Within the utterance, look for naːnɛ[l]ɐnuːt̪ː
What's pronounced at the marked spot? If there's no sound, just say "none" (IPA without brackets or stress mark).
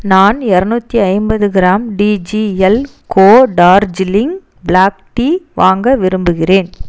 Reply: ɾ